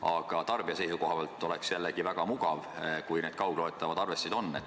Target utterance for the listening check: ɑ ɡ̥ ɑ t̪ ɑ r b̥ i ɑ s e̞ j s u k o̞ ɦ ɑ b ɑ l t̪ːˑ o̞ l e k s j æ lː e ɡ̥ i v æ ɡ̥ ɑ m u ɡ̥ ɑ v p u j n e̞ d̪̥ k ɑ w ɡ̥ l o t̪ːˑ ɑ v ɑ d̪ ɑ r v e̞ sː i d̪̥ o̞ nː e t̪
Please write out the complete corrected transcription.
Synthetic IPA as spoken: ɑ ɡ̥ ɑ t̪ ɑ r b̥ i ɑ s e̞ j s u k o̞ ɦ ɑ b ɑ l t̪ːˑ o̞ l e k s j æ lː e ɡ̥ i v æ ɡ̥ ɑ m u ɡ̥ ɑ v k u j n e̞ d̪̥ k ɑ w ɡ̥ l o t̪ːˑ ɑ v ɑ d̪ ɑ r v e̞ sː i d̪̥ o̞ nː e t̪

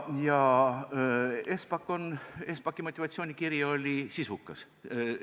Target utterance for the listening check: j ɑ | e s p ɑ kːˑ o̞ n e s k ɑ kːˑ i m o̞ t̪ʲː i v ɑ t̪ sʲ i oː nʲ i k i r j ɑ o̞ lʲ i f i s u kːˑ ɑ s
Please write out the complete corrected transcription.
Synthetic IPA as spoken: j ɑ | e s p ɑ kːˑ o̞ n e s p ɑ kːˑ i m o̞ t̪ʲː i v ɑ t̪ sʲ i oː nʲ i k i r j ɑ o̞ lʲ i s i s u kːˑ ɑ s

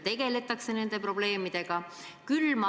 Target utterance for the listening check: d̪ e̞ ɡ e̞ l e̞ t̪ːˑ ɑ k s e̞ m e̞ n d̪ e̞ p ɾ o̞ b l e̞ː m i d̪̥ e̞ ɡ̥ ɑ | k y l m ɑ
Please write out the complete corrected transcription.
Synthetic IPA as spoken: t̪ e̞ ɡ e̞ l e̞ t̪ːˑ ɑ k s e̞ n e̞ n d̪ e̞ p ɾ o̞ b l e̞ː m i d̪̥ e̞ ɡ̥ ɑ | k y l m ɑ

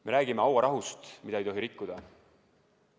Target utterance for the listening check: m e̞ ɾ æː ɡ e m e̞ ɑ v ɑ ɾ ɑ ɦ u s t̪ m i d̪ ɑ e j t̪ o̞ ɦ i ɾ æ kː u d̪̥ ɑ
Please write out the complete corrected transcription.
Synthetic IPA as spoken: m e̞ ɾ æː ɡ i m e̞ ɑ w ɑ ɾ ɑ ɦ u s t̪ m i d̪ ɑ e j t̪ o̞ ɦ i ɾ i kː u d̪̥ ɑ

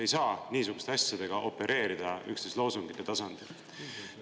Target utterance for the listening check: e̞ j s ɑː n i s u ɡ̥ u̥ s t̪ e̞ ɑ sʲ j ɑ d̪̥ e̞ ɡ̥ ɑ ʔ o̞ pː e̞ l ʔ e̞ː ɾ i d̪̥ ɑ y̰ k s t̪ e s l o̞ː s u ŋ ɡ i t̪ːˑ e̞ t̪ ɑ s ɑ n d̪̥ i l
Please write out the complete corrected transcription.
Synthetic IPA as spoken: e̞ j s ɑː n iː s u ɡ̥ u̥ s t̪ e̞ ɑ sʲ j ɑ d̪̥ e̞ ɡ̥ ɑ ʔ o̞ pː e̞ ɾ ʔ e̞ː ɾ i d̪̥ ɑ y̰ k s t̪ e s l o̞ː s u ŋ ɡ i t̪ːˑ e̞ t̪ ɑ s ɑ n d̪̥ i l

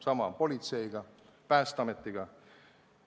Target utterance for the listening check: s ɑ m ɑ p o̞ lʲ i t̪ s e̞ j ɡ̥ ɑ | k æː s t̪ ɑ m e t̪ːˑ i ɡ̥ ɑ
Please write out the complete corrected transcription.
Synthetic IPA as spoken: s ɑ m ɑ p o̞ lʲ i t̪ s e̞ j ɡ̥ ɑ | p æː s t̪ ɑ m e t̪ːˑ i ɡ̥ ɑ

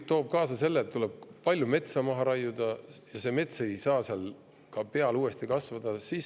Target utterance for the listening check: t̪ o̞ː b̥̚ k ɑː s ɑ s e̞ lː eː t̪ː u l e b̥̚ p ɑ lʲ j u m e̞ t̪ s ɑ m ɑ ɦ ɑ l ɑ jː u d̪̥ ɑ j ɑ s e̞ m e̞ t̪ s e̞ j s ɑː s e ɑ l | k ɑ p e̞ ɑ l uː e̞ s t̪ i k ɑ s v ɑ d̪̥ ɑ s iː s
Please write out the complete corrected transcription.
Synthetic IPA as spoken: t̪ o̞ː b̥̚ k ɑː s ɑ s e̞ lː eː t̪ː u l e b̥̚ p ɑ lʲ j u m e̞ t̪ s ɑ m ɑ ɦ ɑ ɾ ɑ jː u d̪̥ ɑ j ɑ s e̞ m e̞ t̪ s e̞ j s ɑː s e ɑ l | k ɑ p e̞ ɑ l uː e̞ s t̪ i k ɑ s v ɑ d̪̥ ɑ s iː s

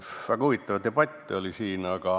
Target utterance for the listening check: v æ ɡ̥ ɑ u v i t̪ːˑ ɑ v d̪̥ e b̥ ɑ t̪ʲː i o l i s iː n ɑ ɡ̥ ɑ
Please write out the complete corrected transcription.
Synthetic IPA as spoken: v æ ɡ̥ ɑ u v i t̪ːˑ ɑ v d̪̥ e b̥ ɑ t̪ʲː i o l i s iː n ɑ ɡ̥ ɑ

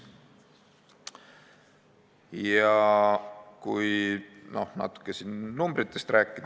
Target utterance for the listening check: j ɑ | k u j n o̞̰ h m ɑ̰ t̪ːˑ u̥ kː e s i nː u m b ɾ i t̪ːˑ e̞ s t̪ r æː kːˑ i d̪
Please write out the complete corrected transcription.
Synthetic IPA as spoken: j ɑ | k u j n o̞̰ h n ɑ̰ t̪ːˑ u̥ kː e s i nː u m b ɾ i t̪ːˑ e̞ s t̪ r æː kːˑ i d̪

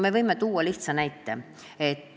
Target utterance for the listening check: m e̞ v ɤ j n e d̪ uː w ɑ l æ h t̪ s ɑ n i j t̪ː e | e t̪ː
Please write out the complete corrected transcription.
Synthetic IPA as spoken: m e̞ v ɤ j m e t̪ uː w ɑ l i h t̪ s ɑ n æ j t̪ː e | e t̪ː

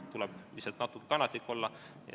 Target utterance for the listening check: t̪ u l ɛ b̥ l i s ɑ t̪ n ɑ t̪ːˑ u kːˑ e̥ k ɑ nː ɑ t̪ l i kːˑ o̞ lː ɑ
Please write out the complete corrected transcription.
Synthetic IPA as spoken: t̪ u l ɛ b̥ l i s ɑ t̪ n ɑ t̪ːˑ u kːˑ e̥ k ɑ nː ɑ t̪ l i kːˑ o̞ lː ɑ

